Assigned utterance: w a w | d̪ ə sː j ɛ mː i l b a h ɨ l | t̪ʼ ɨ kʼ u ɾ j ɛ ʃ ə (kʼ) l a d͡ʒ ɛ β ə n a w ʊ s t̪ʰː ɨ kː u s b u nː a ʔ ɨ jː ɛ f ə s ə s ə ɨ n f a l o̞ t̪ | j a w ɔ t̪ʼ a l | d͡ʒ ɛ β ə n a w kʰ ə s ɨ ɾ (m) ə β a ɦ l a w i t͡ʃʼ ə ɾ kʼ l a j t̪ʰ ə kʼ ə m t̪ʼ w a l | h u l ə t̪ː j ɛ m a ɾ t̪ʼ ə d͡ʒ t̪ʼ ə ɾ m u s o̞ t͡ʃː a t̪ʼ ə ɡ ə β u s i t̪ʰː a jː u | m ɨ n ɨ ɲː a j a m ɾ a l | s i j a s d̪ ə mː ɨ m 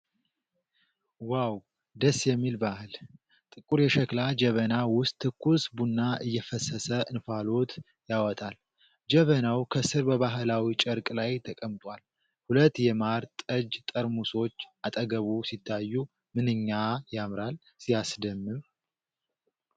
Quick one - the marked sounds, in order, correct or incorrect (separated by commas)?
incorrect, incorrect